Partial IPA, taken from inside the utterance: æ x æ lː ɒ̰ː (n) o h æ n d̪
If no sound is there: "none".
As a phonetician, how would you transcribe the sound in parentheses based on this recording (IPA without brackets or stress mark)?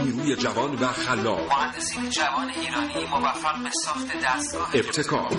m